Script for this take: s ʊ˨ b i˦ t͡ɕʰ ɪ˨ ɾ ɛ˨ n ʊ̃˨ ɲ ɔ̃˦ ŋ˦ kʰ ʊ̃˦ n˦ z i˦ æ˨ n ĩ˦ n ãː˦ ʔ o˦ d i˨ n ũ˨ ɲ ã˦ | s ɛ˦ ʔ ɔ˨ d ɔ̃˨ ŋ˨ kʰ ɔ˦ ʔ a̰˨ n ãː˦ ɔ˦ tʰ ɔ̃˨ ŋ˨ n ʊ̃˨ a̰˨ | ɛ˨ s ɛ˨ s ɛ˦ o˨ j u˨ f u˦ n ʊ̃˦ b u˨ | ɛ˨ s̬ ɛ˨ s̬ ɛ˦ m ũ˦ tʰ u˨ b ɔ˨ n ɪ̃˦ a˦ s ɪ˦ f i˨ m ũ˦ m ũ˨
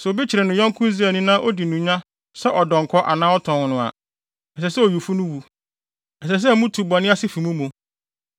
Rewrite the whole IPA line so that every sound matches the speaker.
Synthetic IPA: s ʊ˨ b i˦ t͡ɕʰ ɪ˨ ɾ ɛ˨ n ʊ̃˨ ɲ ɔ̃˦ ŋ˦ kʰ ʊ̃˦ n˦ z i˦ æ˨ n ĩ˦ n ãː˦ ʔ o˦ d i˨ n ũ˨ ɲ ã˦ | s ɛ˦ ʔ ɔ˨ d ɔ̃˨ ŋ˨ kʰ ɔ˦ ʔ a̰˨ n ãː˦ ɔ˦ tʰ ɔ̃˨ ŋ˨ n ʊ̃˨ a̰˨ | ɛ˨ s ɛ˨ s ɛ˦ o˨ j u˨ f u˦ n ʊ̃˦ w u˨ | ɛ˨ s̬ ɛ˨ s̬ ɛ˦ m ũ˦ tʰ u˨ b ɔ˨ n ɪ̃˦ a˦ s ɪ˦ f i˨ m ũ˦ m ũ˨